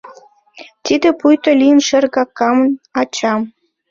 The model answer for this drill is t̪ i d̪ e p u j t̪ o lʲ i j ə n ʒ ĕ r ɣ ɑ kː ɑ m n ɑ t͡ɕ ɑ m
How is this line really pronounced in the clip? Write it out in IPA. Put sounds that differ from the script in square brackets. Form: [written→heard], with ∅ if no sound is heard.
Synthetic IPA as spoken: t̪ i d̪ e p u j t̪ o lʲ i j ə n [ʒ→ʃ] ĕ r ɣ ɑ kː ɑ m n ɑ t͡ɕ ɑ m